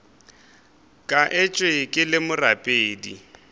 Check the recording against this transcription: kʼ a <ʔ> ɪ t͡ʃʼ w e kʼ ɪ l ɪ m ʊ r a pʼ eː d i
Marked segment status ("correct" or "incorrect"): correct